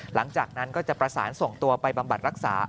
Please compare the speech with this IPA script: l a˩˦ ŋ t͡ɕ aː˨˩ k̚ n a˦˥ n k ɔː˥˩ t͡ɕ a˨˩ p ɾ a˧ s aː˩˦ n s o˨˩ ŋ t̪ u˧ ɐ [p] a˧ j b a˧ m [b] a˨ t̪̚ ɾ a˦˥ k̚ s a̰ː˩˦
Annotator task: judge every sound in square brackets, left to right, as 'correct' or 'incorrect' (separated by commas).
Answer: correct, correct